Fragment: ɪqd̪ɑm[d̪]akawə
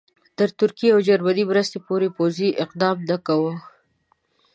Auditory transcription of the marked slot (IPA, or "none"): d̪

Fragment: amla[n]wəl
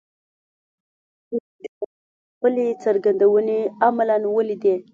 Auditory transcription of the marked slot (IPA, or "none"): n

